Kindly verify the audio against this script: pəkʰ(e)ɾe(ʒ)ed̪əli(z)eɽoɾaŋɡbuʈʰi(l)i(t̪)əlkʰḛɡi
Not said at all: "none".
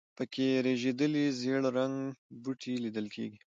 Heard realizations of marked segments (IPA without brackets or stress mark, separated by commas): e, ʒ, z, l, d̪